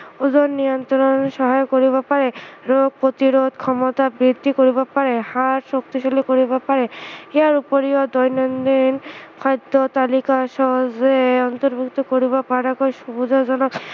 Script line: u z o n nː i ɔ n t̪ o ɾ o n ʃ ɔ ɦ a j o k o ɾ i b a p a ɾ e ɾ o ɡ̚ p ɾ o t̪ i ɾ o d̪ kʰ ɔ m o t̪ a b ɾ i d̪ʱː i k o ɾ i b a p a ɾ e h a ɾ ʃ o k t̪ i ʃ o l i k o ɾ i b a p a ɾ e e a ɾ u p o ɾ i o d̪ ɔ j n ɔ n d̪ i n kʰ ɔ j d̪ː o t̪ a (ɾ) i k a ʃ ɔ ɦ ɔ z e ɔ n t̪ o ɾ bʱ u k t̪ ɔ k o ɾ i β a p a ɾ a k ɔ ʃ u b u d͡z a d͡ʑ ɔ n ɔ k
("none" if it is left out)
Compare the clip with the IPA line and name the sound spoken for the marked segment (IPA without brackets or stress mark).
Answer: l